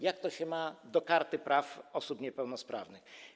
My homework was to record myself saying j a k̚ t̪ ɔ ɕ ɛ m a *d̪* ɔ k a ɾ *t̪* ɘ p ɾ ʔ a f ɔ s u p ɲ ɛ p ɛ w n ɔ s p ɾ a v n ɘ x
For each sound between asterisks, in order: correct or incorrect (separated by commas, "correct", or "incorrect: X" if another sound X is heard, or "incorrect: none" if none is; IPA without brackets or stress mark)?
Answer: correct, correct